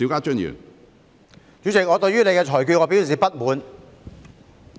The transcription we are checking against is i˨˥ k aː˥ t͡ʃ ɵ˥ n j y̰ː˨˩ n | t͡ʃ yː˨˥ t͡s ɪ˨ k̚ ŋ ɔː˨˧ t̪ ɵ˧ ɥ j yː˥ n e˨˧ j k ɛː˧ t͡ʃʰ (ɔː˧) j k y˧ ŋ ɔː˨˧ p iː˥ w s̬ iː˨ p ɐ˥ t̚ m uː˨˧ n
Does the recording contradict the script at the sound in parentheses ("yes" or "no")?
yes